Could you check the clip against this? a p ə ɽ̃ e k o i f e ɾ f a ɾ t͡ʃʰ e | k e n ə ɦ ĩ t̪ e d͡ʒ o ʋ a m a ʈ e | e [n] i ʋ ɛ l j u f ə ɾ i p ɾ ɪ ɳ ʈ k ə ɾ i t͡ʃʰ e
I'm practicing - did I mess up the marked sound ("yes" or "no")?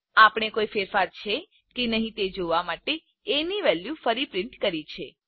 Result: no